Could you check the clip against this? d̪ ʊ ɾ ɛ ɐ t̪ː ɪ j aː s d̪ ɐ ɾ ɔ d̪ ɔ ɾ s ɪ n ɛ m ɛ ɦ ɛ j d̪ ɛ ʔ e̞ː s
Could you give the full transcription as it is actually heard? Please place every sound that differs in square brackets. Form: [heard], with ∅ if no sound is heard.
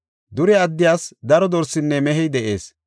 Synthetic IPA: d̪ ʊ ɾ ɛ ɐ [d̪ː] ɪ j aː s d̪ ɐ ɾ ɔ d̪ ɔ ɾ s ɪ [nː] ɛ m ɛ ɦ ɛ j d̪ ɛ ʔ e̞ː s

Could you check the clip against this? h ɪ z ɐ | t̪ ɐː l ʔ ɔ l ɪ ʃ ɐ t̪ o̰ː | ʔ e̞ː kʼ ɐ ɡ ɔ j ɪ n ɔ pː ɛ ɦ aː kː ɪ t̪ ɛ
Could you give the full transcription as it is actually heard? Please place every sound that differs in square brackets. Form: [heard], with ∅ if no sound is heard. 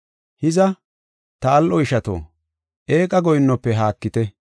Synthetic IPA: h ɪ z ɐ | t̪ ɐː l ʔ ɔ [∅] ɪ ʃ ɐ t̪ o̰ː | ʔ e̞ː kʼ ɐ ɡ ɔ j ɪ [nː] ɔ pː ɛ ɦ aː kː ɪ t̪ ɛ

